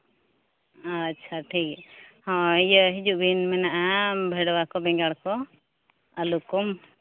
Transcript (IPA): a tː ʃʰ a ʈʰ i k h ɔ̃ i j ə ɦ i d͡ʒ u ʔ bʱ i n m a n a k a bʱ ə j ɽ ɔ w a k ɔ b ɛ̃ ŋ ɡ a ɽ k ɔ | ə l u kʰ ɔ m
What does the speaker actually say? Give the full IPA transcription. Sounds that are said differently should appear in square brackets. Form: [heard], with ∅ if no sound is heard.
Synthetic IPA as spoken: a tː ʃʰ a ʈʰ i k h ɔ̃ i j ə ɦ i d͡ʒ u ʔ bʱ i n m [ɛ] n a [ʔ] a bʱ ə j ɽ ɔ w a k ɔ b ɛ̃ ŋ ɡ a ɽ k ɔ | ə l u [k] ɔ m